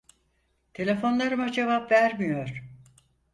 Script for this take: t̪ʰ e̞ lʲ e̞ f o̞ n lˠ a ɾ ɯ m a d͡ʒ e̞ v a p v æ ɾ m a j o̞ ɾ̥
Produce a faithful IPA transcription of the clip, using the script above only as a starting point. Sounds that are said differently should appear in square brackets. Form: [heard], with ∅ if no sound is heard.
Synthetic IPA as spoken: t̪ʰ e̞ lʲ e̞ f o̞ n lˠ a ɾ ɯ m a d͡ʒ e̞ v a p v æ ɾ m [i] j o̞ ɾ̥